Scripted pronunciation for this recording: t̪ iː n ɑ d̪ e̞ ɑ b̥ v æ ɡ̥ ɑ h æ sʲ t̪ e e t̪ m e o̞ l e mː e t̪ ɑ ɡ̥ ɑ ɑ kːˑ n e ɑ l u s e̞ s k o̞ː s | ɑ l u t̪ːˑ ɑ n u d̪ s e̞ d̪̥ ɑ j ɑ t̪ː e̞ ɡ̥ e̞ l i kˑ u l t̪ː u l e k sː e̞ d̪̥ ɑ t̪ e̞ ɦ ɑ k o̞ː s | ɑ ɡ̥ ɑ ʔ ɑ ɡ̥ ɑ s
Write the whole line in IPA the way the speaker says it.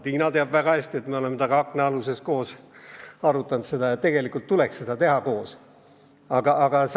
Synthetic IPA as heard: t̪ iː n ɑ t̪ e̞ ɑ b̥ v æ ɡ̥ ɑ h æ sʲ t̪ i e t̪ m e o̞ l e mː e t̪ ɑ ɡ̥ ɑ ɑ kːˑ n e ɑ l u s e̞ s k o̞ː s | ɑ ɾ u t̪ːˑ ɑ n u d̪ s e̞ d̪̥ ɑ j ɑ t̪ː e̞ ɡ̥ e̞ l i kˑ u l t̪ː u l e k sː e̞ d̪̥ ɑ t̪ e̞ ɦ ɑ k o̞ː s | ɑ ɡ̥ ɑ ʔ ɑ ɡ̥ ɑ s